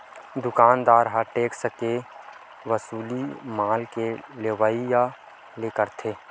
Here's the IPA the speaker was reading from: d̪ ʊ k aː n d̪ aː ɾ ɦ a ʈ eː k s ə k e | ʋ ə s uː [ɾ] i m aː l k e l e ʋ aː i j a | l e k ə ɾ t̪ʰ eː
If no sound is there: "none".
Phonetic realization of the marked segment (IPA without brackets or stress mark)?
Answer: l